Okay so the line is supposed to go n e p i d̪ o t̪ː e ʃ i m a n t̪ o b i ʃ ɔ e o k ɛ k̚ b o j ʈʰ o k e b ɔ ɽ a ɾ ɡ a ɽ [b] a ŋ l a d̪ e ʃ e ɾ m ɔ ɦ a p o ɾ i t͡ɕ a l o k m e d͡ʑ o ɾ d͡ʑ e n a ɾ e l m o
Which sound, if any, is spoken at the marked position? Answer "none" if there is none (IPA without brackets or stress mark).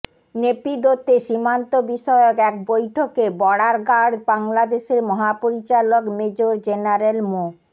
b